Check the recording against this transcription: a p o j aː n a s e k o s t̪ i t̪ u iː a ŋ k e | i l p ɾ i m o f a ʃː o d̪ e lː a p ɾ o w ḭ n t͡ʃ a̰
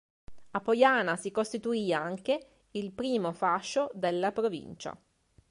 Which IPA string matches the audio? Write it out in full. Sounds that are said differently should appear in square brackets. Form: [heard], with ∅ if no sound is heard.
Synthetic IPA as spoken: a p o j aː n a s [i] k o s t̪ i t̪ u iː a ŋ k e | i l p ɾ [iː] m o f a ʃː o d̪ e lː a p ɾ o [v] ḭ n t͡ʃ a̰